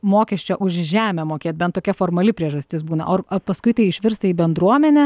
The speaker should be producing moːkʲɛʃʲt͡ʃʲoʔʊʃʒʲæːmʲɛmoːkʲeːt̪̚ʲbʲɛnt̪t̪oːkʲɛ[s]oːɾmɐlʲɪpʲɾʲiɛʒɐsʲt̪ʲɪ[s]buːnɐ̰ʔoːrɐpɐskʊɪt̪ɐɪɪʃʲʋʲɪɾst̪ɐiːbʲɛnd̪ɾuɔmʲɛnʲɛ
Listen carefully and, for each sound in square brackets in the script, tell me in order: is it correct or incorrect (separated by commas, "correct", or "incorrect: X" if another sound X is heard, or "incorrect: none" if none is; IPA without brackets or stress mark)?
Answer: incorrect: f, correct